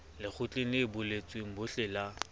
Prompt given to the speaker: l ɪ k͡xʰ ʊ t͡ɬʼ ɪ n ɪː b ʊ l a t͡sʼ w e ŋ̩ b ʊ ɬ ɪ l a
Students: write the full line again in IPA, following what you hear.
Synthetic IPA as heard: l ɪ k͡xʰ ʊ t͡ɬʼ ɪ n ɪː b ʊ l e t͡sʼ w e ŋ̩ b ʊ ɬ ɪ l a

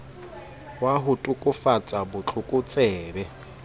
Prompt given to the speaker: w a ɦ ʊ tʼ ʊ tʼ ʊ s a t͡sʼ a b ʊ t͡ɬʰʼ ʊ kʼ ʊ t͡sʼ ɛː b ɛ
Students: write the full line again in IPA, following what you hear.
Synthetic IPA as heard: w a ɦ ʊ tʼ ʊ kʼ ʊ f a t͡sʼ a b ʊ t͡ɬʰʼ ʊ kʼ ʊ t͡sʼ ɛː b ɛ

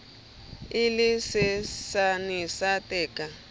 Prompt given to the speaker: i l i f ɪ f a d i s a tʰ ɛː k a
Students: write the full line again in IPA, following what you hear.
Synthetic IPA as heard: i l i s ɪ s a n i s a t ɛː k a

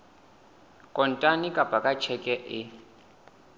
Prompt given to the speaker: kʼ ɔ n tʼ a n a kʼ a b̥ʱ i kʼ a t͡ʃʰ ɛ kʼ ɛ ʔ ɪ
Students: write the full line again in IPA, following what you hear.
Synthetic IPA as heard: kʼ ɔ n tʼ a n i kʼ a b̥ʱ a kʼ a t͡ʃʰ ɛ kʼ ɛ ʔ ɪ

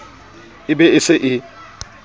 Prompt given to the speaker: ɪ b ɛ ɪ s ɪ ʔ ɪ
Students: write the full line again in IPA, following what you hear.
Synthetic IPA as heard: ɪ b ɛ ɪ s ɪ ʔ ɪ

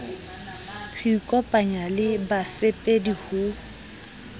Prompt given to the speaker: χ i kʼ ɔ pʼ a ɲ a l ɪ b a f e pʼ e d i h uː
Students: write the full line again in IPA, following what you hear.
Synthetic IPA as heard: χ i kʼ ɔ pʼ a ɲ a l ɪ b a f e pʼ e d i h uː

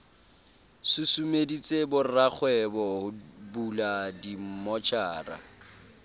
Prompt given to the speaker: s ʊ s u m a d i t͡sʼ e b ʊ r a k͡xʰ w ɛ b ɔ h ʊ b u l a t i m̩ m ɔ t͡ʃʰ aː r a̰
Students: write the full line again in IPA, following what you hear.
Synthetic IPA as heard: s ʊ s u m e d i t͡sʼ e b ʊ r a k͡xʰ w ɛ b ɔ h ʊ b u l a d i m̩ m ɔ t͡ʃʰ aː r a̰

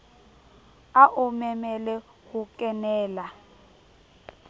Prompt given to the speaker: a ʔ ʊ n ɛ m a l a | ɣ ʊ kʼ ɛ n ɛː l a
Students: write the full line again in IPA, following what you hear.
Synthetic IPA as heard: a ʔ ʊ m ɛ m ɛ l ɛ | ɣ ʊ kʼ ɛ n ɛː l a

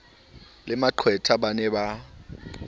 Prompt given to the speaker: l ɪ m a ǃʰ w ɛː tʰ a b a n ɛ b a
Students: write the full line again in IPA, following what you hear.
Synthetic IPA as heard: l ɪ m a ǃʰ w ɛ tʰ a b a n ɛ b a

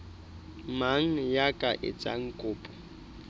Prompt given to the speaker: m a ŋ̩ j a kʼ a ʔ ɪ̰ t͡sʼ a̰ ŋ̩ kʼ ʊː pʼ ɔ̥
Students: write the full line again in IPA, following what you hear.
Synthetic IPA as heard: m a ŋ̩ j a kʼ a ʔ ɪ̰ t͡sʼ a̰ ŋ̩ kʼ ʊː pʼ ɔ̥

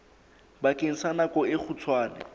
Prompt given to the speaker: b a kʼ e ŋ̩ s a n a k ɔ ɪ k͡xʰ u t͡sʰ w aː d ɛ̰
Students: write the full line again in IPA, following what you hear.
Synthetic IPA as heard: b a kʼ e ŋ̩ s a n a k ɔ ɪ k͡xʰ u t͡sʰ w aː n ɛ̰

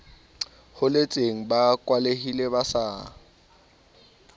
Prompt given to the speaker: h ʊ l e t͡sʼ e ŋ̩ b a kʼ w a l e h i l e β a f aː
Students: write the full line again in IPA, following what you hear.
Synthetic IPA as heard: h ʊ l e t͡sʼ e ŋ̩ b a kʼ w a l e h i l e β a s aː

